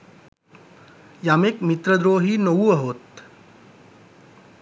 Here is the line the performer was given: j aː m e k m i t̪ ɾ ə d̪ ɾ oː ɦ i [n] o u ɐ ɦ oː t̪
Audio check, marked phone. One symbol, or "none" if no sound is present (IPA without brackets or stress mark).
n